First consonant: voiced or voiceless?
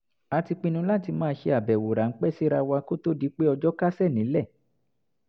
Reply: voiceless